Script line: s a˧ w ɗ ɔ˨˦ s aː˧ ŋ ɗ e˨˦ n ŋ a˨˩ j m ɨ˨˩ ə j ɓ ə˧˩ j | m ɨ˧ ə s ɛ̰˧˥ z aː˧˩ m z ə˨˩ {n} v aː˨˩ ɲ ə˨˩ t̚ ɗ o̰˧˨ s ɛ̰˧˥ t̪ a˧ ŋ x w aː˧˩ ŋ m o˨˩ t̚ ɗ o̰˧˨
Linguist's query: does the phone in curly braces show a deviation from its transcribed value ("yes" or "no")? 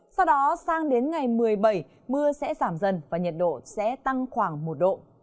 no